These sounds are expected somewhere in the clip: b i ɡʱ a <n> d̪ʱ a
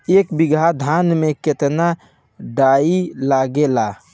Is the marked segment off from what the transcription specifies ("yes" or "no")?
yes